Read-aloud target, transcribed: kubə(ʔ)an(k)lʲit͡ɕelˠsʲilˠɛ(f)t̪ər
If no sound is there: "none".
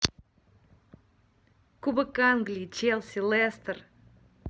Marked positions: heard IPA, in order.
k, ɡ, s

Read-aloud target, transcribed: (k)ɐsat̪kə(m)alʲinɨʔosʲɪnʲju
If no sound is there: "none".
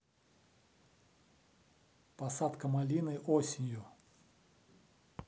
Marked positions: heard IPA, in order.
p, m

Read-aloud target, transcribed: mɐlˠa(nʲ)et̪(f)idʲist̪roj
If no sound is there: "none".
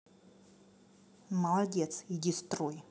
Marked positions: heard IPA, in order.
dʲ, s

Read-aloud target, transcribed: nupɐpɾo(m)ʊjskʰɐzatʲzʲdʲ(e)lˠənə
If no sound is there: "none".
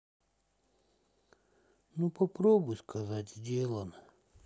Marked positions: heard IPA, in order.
b, e

